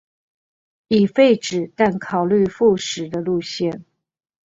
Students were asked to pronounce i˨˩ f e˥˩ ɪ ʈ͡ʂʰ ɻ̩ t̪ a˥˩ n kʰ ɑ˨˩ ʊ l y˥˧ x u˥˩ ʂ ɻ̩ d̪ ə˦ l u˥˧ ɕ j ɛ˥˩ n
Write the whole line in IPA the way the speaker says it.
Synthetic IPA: i˨˩ f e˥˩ ɪ ʈ͡ʂ ɻ̩ t̪ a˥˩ n kʰ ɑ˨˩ ʊ l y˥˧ f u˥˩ ʂ ɻ̩ d̪ ə˦ l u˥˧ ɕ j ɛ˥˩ n